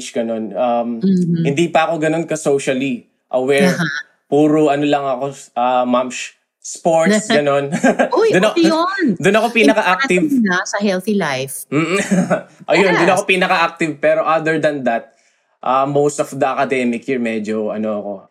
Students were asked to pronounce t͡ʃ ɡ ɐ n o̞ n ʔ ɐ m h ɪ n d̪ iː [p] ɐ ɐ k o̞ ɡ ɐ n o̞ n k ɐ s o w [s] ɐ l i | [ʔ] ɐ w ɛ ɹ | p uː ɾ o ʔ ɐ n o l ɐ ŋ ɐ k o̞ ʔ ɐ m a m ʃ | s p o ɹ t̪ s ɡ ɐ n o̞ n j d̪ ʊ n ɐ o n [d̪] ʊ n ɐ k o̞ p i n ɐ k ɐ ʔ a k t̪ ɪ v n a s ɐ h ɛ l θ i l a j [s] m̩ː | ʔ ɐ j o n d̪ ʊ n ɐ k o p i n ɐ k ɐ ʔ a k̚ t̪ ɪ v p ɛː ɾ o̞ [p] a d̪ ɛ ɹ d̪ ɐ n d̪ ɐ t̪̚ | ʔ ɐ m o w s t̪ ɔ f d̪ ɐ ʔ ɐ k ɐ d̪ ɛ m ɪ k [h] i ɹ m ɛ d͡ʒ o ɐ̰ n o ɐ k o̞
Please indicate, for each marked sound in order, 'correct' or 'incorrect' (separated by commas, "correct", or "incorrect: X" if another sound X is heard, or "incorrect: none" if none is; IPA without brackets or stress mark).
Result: correct, incorrect: ʃ, correct, correct, incorrect: f, incorrect: ʔ, correct